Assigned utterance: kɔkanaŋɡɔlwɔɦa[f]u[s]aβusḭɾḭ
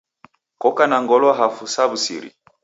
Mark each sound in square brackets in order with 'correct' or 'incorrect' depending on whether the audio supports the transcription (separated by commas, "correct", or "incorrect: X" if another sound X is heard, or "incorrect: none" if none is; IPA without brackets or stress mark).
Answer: correct, correct